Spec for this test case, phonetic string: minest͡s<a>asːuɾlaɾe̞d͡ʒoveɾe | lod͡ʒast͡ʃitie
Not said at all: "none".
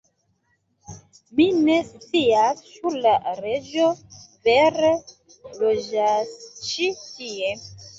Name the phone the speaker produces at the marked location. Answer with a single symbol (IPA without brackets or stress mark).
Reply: i